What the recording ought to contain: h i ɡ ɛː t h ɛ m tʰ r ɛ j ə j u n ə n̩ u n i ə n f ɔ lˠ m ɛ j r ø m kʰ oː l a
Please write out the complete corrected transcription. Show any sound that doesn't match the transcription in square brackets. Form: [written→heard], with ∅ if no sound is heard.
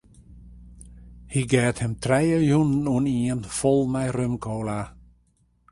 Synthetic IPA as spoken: h i ɡ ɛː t h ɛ m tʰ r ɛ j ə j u n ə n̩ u n i ə n f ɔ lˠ m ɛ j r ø m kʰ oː l a